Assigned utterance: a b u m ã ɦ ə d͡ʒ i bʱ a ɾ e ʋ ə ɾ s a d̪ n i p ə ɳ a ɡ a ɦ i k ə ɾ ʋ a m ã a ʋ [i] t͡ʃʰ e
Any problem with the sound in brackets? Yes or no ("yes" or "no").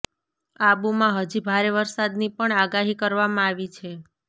no